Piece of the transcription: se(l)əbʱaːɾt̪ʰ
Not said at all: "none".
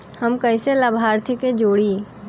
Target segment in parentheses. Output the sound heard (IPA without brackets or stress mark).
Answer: l